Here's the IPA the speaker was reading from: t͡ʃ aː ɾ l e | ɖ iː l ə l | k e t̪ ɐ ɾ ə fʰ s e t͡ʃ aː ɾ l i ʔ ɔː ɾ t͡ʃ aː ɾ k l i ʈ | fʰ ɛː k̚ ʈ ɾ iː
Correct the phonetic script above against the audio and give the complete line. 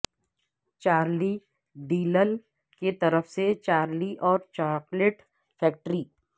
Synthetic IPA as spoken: t͡ʃ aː ɾ l i | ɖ iː l ə l | k e t̪ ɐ ɾ ə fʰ s e t͡ʃ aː ɾ l i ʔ ɔː ɾ t͡ʃ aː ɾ k l e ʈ | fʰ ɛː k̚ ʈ ɾ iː